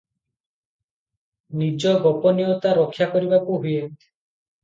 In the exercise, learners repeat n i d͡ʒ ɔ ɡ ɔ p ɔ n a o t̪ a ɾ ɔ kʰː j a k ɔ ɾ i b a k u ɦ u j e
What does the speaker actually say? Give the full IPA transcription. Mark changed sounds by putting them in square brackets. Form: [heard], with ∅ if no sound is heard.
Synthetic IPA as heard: n i d͡ʒ ɔ ɡ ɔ p ɔ n [i] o t̪ a ɾ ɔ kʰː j a k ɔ ɾ i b a k u ɦ u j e